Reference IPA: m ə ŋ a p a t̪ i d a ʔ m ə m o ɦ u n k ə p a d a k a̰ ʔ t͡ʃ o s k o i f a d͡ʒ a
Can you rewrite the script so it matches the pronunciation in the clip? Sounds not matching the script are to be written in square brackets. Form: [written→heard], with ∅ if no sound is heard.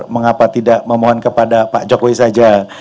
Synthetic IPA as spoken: m ə ŋ a p a t̪ i d a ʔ m ə m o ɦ [u→ɔ] n k ə p a d a [k→p] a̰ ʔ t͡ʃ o [s→∅] k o i [f→s] a d͡ʒ a